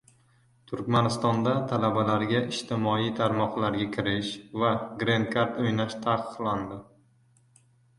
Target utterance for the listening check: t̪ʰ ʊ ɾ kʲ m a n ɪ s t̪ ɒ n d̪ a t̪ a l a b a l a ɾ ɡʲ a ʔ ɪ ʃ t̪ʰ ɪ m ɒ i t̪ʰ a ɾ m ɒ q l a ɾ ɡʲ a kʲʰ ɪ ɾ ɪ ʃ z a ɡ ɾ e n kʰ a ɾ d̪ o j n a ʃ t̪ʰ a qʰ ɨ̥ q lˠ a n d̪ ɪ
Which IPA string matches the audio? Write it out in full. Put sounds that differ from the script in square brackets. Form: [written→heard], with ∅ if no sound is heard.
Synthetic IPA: t̪ʰ ʊ ɾ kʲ m a n ɪ s t̪ ɒ n d̪ a [t̪→t̪ʰ] a l a b a l a ɾ ɡʲ a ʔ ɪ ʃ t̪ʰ ɪ m ɒ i t̪ʰ a ɾ m ɒ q l a ɾ ɡʲ a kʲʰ ɪ ɾ ɪ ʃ [z→v] a ɡ ɾ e n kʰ a ɾ [d̪→t̪] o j n a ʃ t̪ʰ a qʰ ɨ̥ q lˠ a n d̪ ɪ